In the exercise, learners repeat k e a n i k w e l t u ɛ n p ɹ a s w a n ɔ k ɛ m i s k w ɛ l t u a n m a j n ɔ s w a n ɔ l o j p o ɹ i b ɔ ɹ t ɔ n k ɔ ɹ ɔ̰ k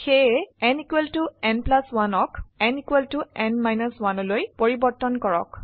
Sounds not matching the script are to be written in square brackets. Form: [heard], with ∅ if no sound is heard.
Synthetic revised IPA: [x] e [ɛ] n i k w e l t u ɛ n p [l] a s w a n ɔ k ɛ [n] i [∅] k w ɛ l t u [ɛ] n m a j n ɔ s w a n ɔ l o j p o ɹ i b ɔ ɹ t ɔ n k ɔ ɹ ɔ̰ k